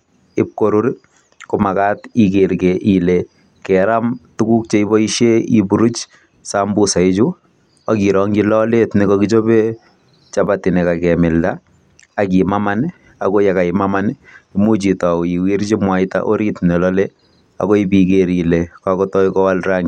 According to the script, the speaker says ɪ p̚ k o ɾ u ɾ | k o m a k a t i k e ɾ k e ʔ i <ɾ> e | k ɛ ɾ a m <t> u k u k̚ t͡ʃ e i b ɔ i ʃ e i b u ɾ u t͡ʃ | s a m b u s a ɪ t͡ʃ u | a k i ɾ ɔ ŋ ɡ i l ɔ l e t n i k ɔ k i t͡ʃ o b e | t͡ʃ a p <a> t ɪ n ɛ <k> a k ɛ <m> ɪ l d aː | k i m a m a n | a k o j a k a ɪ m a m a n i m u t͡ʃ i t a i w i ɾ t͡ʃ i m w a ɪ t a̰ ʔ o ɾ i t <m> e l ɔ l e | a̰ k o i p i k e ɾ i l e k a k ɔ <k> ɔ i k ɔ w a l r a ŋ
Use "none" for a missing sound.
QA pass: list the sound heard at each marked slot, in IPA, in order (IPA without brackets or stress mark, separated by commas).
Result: l, t, a, k, m, n, t